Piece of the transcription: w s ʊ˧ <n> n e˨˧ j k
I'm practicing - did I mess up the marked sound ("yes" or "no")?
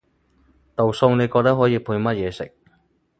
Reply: yes